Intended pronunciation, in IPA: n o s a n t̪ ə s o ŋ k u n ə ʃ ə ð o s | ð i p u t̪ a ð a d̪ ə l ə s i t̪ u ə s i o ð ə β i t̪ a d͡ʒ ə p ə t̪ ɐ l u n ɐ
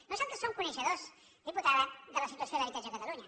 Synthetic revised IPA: n o s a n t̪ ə s o ŋ k u n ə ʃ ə ð o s | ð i p u t̪ a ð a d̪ ə l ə s i t̪ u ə s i o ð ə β i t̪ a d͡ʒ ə k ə t̪ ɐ l u ɲ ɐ